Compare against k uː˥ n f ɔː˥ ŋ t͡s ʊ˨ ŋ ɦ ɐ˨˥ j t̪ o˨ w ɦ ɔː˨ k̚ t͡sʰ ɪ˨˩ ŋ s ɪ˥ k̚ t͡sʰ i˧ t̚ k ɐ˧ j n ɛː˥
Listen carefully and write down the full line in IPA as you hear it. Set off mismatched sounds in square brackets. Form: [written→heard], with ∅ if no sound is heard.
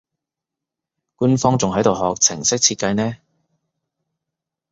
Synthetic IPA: k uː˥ n f ɔː˥ ŋ t͡s ʊ˨ ŋ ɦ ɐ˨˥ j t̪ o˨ w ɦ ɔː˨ k̚ t͡sʰ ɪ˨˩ ŋ s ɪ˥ k̚ t͡sʰ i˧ t̚ k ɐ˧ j n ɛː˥